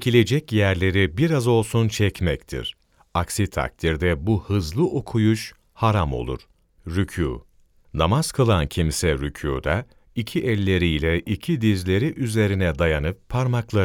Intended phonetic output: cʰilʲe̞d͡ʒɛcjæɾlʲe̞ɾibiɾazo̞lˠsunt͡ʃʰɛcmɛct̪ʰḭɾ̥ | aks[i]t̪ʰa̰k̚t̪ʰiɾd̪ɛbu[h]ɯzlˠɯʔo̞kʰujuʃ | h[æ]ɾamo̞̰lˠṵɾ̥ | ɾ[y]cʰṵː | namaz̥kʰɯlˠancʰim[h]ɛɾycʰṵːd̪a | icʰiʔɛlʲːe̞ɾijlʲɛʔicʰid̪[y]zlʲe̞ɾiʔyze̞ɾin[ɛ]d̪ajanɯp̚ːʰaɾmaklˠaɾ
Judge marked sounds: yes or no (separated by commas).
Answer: yes, yes, no, yes, no, no, yes